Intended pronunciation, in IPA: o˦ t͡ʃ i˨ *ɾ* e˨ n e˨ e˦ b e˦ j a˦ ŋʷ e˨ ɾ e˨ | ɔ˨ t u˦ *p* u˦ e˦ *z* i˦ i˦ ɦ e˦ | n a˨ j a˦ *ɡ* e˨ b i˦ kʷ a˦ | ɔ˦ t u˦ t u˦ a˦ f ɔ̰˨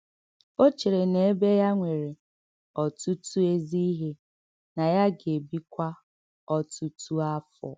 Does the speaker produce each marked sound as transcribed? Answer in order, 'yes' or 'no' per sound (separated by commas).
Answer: yes, no, yes, yes